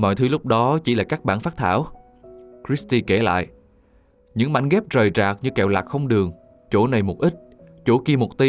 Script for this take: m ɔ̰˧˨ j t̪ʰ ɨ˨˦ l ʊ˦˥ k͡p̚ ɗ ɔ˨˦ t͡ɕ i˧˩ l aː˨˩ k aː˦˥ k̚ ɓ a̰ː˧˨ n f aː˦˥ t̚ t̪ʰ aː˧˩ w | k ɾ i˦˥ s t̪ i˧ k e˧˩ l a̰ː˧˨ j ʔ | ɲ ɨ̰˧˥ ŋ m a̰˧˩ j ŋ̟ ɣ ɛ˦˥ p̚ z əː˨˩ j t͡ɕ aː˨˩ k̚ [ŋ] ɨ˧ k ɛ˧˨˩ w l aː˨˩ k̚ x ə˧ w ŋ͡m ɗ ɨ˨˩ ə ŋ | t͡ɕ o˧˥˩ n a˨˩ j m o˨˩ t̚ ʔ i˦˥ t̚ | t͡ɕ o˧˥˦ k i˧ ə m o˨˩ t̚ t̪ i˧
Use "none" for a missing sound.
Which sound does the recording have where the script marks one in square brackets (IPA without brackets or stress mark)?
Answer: ɲ